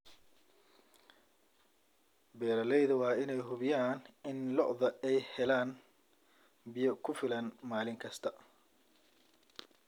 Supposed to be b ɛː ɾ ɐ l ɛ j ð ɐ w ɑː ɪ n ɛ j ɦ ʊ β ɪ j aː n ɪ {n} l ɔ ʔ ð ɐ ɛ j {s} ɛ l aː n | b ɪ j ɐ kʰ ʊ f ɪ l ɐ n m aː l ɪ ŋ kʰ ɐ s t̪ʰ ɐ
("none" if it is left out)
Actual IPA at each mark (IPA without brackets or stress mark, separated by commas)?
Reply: n, h